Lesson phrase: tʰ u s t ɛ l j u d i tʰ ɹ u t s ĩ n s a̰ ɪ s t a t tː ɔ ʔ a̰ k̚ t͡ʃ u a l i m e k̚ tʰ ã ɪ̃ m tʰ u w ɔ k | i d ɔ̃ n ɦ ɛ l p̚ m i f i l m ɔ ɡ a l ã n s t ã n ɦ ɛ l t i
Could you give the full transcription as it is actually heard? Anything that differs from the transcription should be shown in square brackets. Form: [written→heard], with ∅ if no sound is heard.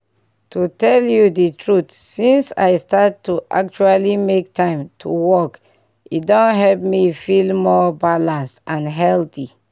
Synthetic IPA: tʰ u [s→∅] t ɛ l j u d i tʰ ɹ u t s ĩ n s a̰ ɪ s t a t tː [ɔ→u] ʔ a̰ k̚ t͡ʃ u a l i m e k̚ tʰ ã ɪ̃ m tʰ u w ɔ k | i d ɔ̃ n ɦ ɛ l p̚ m i f i l m ɔ [ɡ→b] a l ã n s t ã n ɦ ɛ l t i